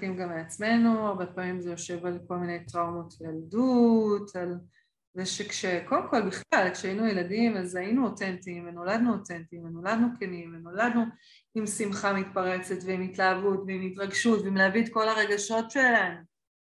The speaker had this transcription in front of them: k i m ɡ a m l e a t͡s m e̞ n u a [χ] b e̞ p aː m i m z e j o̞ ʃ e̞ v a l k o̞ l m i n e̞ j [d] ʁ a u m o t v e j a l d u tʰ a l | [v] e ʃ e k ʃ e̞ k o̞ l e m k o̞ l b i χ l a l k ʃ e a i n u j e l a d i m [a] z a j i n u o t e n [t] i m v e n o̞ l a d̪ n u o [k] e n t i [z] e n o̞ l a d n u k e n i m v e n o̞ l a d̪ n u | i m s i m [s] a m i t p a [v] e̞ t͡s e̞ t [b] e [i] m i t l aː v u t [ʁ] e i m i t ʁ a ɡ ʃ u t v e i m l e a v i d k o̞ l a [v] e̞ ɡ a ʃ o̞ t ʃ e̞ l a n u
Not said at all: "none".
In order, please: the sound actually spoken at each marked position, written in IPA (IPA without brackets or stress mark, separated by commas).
ʁ, t, z, a, t, t, v, χ, ʁ, v, i, v, ʁ